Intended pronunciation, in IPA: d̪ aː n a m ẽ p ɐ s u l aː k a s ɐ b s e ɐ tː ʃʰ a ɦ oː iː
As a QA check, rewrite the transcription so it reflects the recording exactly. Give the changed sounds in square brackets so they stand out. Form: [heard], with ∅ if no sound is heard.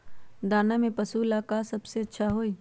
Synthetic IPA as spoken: d̪ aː n a m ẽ p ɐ s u l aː k a s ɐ b s e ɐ tː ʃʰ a ɦ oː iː